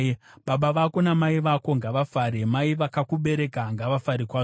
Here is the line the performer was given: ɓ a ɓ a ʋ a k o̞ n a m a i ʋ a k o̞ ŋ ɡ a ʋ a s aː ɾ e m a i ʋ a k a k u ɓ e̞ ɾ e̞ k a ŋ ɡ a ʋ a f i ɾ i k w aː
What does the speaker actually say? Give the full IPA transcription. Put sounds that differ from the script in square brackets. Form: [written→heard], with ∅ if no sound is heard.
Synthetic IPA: ɓ a ɓ a ʋ a k o̞ n a m a i ʋ a k o̞ ŋ ɡ a ʋ a [s→f] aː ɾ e m a i ʋ a k a k u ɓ e̞ ɾ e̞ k a ŋ ɡ a ʋ a f [i→a] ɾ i k w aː